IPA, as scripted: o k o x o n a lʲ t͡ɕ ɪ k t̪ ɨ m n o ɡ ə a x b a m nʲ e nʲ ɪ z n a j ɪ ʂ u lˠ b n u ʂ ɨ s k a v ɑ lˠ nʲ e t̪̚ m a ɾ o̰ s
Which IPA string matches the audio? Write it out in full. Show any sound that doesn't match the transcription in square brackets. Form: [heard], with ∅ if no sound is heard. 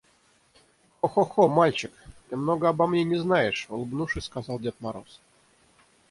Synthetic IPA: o [x] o x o [m] a lʲ t͡ɕ ɪ k t̪ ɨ m n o ɡ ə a [∅] b a m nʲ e nʲ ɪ z n a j ɪ ʂ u lˠ b n u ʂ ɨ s k a [z] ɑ lˠ [dʲ] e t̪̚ m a ɾ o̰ s